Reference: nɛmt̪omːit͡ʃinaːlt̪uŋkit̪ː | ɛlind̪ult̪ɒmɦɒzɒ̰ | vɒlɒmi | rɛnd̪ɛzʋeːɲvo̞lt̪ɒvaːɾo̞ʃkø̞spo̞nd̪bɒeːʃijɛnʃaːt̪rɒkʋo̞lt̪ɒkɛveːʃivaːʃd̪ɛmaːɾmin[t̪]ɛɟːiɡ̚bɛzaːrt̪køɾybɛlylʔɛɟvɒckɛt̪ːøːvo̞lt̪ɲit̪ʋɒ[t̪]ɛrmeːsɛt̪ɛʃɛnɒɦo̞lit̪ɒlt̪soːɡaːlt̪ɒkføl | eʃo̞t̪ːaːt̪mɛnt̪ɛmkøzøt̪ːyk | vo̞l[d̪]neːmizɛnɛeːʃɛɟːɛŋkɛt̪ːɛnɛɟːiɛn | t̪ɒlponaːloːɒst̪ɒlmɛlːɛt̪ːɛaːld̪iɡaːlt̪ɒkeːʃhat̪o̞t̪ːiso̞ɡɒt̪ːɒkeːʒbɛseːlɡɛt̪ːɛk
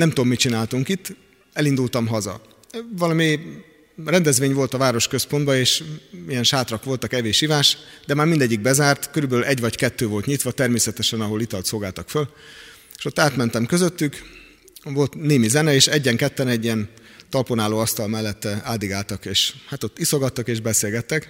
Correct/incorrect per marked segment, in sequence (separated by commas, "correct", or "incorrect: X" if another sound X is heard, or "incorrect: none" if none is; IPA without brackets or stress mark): incorrect: d̪, correct, incorrect: t̪